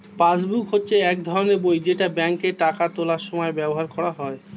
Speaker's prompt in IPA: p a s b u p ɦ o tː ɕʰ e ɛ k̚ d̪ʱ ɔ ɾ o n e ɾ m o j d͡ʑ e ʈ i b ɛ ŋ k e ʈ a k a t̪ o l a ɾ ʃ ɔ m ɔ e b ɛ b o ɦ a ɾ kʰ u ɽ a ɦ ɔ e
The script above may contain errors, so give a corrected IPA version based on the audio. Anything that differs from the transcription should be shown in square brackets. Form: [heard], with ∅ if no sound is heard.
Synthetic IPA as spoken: p a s b u [k] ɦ o tː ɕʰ e ɛ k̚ d̪ʱ ɔ ɾ o n e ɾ [b] o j d͡ʑ e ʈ [a] b ɛ ŋ k e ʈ a k a t̪ o l a ɾ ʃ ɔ m ɔ e b ɛ b o ɦ a ɾ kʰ [ɔ] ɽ a ɦ ɔ e